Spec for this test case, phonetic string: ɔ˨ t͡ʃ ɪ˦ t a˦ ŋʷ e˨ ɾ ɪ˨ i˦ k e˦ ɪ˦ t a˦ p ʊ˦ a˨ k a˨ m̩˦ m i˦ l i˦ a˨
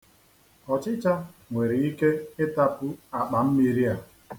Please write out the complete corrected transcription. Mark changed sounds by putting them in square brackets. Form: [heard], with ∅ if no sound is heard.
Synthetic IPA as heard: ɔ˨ t͡ʃ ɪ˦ [t͡ʃ] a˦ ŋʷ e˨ ɾ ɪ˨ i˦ k e˦ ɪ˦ t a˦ p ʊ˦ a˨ [k͡p] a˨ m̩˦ m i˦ [ɾ] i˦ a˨